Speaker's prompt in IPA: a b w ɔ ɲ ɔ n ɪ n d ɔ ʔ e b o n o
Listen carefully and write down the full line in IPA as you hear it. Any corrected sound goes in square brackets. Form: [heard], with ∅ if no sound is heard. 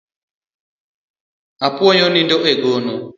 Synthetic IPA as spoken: a [p] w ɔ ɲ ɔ n [i] n d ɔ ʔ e [ɡ] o n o